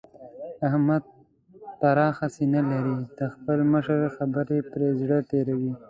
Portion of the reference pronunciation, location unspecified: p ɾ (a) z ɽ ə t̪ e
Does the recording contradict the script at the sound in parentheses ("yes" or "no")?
yes